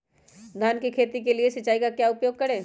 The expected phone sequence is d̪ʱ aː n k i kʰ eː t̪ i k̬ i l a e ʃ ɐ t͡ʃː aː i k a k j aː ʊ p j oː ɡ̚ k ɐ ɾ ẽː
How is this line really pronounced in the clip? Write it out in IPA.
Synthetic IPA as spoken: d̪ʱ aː n k i kʰ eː t̪ i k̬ e l i e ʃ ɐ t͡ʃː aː i k a k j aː ʊ p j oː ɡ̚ k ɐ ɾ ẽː